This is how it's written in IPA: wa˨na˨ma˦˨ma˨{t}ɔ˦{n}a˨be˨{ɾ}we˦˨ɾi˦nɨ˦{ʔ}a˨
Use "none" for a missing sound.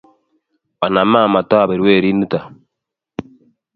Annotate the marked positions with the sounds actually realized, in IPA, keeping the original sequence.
t, none, ɾ, t

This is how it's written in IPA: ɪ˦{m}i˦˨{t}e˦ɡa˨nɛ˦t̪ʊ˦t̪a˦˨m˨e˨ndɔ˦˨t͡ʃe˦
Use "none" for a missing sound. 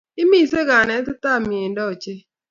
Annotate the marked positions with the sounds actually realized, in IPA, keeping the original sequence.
m, s

